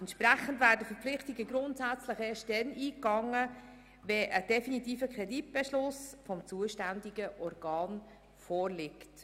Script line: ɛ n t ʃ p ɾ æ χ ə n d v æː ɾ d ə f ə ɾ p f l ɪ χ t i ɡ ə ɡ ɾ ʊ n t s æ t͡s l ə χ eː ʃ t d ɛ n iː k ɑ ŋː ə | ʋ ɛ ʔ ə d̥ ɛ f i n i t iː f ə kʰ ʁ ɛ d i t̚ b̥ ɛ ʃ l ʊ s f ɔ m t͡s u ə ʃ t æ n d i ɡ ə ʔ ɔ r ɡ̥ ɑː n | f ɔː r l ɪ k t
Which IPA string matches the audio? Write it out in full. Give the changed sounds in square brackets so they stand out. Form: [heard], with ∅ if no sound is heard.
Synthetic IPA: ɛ n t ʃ p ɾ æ χ ə n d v æː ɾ d ə f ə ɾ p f l ɪ χ t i ɡ ə ɡ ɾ ʊ n t s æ t͡s l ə χ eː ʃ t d ɛ n iː k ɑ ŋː ə | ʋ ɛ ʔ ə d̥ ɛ f i n i t iː f ə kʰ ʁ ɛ d i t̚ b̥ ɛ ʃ l ʊ s f ɔ m t͡s u ə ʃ t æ n d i ɡ ə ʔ ɔ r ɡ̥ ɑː n | f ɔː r l ɪ k t